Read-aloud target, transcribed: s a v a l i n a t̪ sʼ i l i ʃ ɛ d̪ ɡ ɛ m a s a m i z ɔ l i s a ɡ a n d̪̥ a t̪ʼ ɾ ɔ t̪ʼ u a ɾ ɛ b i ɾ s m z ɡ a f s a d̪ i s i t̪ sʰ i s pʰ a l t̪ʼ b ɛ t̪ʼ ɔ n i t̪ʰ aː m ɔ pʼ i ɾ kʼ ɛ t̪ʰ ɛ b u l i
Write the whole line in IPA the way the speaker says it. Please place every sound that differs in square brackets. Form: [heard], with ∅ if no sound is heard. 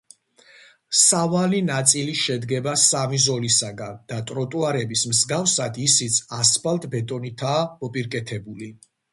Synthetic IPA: s a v a l i n a t̪ sʼ i l i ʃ ɛ d̪ ɡ ɛ [b] a s a m i z ɔ l i s a ɡ a n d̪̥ a t̪ʼ ɾ ɔ t̪ʼ u a ɾ ɛ b i [∅] s m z ɡ a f s a d̪ i s i t̪ sʰ [a] s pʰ a l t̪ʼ b ɛ t̪ʼ ɔ n i t̪ʰ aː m ɔ pʼ i ɾ kʼ ɛ t̪ʰ ɛ b u l i